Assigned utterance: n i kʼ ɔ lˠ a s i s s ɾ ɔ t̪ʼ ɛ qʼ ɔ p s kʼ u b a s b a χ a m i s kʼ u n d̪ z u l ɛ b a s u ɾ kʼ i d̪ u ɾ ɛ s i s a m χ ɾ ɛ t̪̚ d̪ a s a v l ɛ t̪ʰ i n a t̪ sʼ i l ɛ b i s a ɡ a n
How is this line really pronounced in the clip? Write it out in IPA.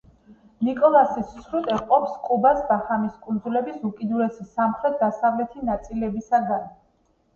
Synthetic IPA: n i kʼ ɔ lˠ a s i s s ɾ u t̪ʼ ɛ qʼ ɔ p s kʼ u b a s b a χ a m i s kʼ u n d̪ z u l ɛ b i s u kʼ i d̪ u ɾ ɛ s i s a m χ ɾ ɛ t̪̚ d̪ a s a v l ɛ t̪ʰ i n a t̪ sʼ i l ɛ b i s a ɡ a n